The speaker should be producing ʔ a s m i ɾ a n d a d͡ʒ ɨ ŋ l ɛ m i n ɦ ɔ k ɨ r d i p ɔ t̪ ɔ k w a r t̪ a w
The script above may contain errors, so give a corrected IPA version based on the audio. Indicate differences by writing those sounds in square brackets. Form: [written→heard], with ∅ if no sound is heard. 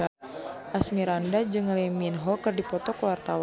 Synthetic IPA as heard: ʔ a s m i ɾ a n d a d͡ʒ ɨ ŋ l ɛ m i n ɦ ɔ k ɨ r d i p ɔ t̪ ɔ k w a r t̪ a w